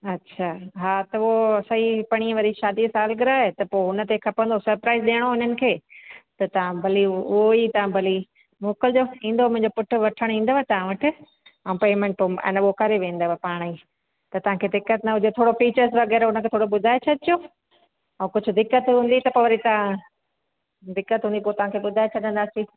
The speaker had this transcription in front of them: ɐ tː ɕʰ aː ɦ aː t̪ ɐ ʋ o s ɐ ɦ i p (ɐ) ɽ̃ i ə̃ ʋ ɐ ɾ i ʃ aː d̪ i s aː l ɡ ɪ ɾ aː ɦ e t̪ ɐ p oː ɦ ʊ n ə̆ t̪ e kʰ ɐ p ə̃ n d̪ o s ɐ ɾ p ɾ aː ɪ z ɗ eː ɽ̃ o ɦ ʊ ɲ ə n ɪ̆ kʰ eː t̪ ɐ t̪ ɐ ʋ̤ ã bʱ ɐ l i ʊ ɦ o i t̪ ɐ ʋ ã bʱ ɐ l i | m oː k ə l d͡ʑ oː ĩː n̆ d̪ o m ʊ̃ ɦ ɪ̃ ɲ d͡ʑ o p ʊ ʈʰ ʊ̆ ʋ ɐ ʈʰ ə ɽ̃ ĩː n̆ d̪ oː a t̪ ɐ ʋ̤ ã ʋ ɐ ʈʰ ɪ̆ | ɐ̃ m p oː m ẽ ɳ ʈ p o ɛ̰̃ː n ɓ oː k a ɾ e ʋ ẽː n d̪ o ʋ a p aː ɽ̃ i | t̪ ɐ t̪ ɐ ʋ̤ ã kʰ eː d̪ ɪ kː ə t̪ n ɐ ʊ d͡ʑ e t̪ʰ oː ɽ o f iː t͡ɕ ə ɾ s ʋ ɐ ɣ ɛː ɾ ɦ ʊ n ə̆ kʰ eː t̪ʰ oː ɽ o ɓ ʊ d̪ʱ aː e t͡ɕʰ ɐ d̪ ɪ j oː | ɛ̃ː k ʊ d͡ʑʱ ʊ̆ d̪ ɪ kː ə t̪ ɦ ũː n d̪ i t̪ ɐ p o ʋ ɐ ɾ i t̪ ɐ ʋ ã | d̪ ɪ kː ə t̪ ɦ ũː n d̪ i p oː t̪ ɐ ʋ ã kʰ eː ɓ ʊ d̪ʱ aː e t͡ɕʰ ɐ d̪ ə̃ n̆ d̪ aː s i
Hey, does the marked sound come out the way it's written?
yes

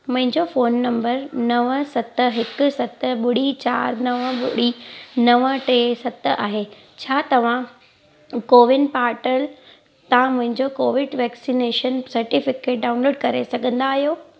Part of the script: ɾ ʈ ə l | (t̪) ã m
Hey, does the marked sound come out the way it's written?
yes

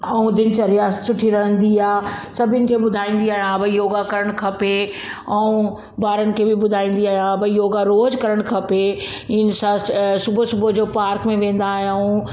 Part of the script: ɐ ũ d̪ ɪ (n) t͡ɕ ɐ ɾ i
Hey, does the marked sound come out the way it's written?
yes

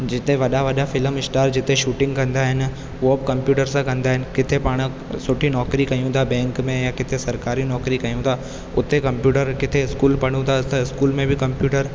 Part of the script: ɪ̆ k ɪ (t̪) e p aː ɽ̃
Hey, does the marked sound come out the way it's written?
no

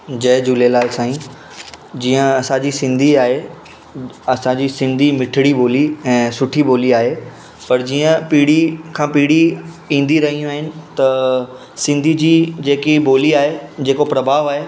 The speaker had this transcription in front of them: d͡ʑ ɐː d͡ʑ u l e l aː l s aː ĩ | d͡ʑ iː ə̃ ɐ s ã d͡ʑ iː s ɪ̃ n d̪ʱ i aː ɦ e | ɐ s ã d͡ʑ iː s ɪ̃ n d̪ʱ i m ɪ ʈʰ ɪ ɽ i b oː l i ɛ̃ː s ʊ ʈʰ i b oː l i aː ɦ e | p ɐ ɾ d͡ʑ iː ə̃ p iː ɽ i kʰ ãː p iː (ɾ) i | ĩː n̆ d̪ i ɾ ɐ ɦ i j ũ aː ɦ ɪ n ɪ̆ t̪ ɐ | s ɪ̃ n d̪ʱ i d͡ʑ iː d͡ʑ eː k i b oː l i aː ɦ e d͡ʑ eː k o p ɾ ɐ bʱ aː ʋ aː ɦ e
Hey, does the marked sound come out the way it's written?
no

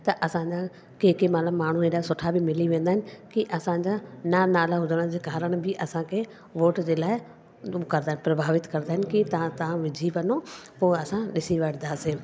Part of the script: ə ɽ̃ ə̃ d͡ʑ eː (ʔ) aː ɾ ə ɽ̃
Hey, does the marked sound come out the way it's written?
no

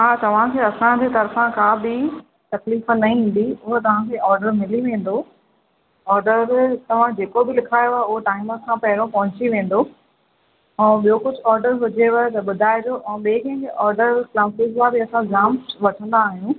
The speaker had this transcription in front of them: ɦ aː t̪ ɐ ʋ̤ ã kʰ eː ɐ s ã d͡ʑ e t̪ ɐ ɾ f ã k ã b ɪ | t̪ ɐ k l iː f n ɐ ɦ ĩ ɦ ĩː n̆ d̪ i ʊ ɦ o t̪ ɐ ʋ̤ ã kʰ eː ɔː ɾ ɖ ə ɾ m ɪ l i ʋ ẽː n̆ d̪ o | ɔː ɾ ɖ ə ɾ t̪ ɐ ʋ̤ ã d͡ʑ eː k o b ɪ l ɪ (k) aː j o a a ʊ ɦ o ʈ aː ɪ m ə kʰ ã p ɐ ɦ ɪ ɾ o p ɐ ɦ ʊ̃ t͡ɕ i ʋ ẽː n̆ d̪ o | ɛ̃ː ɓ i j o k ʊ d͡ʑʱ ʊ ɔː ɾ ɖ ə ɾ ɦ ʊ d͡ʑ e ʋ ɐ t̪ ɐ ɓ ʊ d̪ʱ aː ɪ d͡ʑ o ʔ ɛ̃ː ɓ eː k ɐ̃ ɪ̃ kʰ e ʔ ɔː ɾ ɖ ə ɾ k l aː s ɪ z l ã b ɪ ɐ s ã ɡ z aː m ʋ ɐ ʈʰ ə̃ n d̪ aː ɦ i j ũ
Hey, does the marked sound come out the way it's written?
no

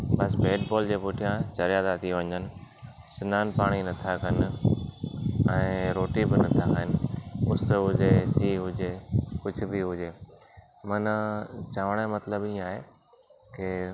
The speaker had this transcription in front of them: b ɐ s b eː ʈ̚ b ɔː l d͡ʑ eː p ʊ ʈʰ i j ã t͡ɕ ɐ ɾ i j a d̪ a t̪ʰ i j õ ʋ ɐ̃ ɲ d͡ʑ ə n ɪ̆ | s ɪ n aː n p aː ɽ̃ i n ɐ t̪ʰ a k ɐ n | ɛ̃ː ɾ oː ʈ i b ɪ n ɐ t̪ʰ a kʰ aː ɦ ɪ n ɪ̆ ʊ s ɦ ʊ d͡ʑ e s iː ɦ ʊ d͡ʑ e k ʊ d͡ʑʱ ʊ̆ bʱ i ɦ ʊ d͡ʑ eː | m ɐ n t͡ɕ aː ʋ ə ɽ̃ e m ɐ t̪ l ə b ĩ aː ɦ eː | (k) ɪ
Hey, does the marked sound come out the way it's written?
yes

